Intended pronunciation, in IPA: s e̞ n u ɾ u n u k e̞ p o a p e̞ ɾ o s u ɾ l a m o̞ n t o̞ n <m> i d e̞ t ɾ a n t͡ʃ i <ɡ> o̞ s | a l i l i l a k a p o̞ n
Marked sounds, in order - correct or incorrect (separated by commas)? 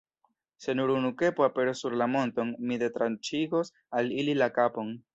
correct, correct